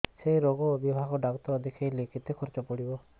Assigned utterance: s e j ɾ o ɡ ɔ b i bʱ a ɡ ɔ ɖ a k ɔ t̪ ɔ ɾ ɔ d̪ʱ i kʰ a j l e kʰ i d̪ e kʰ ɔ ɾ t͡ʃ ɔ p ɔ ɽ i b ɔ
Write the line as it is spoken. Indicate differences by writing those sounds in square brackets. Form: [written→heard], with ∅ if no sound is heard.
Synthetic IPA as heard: s e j ɾ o ɡ ɔ b i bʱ a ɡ ɔ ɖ a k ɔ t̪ ɔ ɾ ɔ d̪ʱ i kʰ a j l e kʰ i [d̪→t̪] e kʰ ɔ ɾ t͡ʃ ɔ p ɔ ɽ i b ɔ